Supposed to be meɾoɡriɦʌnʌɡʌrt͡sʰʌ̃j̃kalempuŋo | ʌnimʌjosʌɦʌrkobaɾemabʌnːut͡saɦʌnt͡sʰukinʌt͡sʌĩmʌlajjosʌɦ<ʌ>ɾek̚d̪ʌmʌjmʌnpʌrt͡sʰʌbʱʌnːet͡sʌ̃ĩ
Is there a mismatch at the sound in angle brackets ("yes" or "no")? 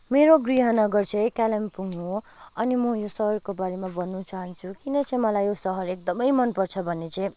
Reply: no